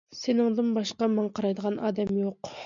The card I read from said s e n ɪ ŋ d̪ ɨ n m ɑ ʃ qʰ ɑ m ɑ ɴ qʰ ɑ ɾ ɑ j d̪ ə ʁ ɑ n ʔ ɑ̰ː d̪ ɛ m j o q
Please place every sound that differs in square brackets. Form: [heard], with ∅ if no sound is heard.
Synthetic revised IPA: s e n ɪ ŋ d̪ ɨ n [b] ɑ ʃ [q] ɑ m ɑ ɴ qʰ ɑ ɾ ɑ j d̪ ə ʁ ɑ n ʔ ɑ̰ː d̪ ɛ m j o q